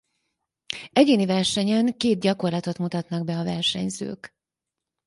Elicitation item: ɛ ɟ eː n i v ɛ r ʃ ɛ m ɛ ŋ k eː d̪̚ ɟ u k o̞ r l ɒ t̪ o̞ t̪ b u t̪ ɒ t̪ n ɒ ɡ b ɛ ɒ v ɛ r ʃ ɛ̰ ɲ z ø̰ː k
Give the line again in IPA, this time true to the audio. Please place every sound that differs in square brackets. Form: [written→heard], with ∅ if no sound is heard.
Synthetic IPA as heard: ɛ ɟ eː n i v ɛ r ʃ ɛ [m→ɲ] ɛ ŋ k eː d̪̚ ɟ [u→ɒ] k o̞ r l ɒ t̪ o̞ t̪ [b→m] u t̪ ɒ t̪ n ɒ ɡ b ɛ ɒ v ɛ r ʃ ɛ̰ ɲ z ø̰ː k